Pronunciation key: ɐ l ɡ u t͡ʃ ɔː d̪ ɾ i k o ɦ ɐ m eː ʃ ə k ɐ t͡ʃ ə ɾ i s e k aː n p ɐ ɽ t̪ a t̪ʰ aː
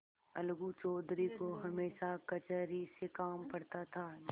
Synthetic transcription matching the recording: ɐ l ɡ u t͡ʃ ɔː d̪ ɾ i k o ɦ ɐ m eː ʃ a k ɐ t͡ʃ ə ɾ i s e k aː m p ɐ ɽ t̪ a t̪ʰ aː